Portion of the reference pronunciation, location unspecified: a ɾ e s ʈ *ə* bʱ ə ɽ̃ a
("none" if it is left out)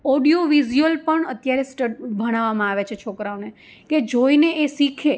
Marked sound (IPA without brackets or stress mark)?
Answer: ə